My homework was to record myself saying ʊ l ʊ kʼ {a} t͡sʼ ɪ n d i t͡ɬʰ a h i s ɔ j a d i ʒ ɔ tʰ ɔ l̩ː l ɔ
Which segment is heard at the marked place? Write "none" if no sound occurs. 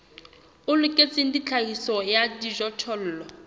e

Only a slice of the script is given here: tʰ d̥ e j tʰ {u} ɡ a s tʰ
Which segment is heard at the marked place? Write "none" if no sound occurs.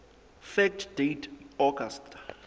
ɔ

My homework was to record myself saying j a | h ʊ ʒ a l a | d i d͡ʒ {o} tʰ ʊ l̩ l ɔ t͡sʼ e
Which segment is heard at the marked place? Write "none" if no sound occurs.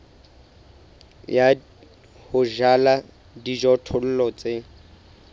ɔ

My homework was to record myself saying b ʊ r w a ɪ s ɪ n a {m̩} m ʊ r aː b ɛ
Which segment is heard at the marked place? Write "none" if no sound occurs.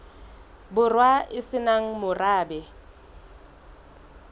ŋ̩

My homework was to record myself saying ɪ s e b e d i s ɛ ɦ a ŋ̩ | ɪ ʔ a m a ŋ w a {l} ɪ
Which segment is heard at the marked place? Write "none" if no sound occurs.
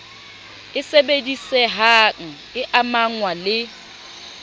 l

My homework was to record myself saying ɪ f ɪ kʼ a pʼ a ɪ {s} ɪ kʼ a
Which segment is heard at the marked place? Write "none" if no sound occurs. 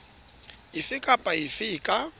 f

